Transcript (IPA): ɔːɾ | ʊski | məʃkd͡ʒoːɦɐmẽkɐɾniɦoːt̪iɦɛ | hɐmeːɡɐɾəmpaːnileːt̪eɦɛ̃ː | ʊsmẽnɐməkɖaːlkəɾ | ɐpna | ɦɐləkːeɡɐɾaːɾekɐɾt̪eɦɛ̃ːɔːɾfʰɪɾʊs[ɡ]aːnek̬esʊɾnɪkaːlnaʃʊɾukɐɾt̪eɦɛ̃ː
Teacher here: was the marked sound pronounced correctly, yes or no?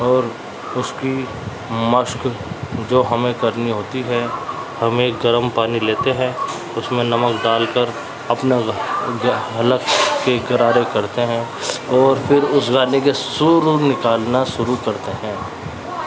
yes